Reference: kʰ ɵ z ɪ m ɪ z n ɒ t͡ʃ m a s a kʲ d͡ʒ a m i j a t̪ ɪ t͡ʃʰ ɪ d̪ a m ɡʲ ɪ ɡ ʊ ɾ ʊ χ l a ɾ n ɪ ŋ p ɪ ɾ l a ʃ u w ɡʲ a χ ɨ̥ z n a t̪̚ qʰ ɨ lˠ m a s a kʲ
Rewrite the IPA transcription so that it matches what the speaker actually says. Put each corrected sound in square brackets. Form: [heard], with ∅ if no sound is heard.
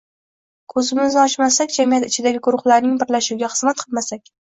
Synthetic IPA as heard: kʰ ɵ z ɪ m ɪ z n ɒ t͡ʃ m a s a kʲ d͡ʒ a m i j a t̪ ɪ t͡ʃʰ ɪ d̪ a [∅] ɡʲ ɪ ɡ ʊ ɾ ʊ χ l a ɾ n ɪ ŋ [b] ɪ ɾ l a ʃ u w ɡʲ a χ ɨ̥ z [m] a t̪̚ qʰ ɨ lˠ m a s a kʲ